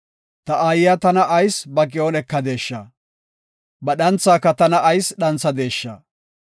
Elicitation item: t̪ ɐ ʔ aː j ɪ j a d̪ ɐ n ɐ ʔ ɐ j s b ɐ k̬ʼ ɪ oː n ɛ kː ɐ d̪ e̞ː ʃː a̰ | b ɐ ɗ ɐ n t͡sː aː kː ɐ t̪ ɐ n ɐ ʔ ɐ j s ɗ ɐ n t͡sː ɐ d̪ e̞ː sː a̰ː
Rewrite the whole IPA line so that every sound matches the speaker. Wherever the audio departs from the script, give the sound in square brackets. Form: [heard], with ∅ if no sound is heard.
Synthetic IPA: t̪ ɐ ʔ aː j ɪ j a [t̪] ɐ n ɐ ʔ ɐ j s b ɐ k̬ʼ ɪ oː n ɛ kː ɐ d̪ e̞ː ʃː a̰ | b ɐ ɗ ɐ n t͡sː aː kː ɐ t̪ ɐ n ɐ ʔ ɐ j s ɗ ɐ n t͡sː ɐ d̪ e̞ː [ʃː] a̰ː